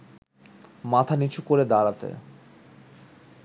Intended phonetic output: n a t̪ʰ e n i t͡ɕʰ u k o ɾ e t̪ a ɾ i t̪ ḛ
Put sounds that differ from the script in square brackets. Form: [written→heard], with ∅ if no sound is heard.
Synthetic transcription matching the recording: [n→m] a t̪ʰ [e→a] n i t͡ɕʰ u k o ɾ e [t̪→d̪] a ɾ [i→a] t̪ ḛ